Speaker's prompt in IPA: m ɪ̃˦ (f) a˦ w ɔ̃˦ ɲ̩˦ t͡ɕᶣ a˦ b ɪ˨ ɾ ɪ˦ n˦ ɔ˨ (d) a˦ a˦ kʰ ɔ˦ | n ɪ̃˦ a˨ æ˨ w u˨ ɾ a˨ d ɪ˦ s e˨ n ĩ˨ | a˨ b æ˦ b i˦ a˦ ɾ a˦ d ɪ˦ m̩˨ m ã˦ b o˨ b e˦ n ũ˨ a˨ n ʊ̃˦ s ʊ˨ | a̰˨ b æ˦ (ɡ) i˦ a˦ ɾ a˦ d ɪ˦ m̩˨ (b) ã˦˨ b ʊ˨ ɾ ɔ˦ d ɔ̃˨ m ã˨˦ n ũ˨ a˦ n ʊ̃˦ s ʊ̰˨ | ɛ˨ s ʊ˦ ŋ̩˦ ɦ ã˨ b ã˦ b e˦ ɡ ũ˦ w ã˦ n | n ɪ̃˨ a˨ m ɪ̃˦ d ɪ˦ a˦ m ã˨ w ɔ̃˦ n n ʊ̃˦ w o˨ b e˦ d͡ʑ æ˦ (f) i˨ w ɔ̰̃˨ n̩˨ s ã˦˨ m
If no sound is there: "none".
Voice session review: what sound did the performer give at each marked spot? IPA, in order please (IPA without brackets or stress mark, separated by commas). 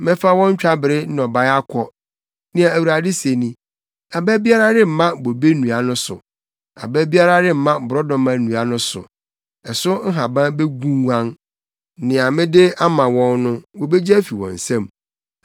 f, b, b, m, f